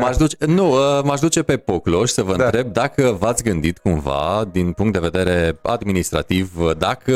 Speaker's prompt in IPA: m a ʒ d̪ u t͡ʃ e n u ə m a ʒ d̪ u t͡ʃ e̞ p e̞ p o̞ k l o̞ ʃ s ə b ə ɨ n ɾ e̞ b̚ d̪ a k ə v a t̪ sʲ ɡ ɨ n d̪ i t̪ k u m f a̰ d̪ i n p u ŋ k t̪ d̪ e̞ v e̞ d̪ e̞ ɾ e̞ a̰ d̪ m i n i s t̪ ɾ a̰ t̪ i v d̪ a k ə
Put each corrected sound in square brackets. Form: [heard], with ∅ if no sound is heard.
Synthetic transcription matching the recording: m a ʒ d̪ u t͡ʃ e n u ə m a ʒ d̪ u t͡ʃ e̞ p e̞ p o̞ k l o̞ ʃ s ə [v] ə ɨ n ɾ e̞ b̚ d̪ a k ə v a t̪ sʲ ɡ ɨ n d̪ i t̪ k u m [v] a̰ d̪ i n p u ŋ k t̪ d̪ e̞ v e̞ d̪ e̞ ɾ e̞ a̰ d̪ m i n i s t̪ ɾ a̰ t̪ i v d̪ a k ə